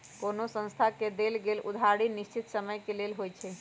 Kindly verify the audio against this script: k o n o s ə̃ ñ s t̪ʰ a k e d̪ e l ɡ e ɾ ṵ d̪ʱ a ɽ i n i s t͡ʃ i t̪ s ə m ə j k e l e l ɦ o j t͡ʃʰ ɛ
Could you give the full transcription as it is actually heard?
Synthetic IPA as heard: k o n o s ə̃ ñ s t̪ʰ a k e d̪ e l ɡ e l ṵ d̪ʱ a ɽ i n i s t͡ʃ i t̪ s ə m ə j k e l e l ɦ o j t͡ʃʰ ɛ